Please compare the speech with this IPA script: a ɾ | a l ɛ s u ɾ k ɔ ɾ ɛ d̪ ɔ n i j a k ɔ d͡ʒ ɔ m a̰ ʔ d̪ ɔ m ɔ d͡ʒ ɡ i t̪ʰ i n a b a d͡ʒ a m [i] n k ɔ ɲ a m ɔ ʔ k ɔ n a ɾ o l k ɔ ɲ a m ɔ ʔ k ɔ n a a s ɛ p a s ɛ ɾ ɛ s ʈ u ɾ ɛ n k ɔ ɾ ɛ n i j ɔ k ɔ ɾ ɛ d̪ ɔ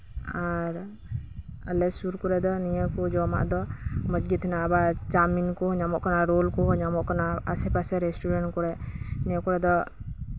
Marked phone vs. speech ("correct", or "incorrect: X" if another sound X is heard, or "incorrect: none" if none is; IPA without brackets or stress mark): correct